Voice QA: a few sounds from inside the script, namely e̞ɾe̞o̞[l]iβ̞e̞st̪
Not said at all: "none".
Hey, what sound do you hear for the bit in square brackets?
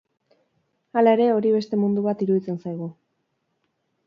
ɾ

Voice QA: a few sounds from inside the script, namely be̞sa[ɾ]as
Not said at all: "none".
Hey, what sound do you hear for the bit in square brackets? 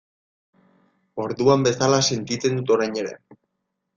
l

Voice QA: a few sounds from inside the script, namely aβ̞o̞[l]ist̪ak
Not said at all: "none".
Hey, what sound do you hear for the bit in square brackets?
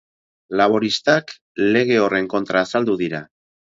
ɾ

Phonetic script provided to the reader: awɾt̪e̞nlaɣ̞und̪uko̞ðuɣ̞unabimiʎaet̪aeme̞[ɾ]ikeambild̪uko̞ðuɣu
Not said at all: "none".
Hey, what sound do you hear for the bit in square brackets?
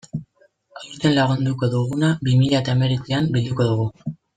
ɾ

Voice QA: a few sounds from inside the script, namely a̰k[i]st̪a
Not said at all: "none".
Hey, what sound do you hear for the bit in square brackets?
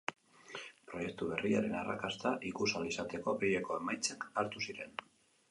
a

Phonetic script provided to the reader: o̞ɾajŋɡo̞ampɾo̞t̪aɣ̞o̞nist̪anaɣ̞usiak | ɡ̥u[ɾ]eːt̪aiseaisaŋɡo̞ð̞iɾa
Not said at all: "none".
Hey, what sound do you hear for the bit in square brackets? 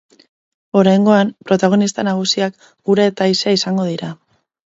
ɾ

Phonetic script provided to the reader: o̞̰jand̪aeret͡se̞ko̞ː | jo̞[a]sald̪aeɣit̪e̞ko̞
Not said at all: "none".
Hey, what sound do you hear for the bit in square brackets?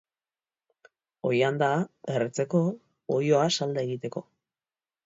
a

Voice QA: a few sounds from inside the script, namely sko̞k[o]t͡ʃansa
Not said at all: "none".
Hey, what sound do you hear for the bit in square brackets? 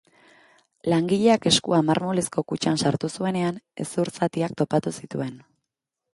u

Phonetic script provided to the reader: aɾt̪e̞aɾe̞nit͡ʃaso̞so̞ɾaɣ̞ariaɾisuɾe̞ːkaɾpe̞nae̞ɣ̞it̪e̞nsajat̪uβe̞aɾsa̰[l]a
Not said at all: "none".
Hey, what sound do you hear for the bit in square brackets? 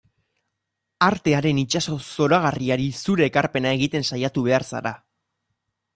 ɾ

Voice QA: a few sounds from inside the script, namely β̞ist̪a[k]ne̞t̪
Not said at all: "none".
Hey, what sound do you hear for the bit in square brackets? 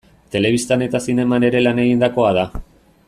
none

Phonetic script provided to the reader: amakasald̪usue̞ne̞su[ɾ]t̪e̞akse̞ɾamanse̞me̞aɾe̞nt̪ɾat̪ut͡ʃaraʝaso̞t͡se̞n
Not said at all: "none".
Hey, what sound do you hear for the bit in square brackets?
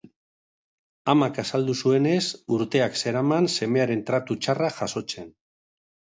ɾ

